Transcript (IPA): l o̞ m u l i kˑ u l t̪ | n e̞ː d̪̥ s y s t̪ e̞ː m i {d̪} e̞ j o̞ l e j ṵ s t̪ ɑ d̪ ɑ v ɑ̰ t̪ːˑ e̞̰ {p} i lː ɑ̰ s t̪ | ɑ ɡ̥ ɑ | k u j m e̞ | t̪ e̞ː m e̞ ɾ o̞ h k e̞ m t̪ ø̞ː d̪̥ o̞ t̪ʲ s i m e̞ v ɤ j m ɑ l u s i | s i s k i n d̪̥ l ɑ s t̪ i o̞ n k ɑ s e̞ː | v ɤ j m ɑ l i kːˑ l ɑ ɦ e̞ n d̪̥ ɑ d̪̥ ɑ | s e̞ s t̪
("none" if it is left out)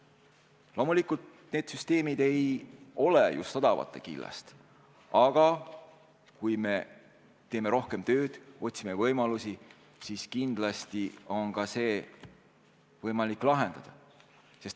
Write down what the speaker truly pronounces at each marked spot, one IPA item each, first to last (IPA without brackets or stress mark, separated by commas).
d̪, k